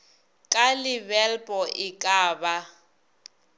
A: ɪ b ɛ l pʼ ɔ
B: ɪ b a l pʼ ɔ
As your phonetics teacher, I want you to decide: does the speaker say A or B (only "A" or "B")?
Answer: A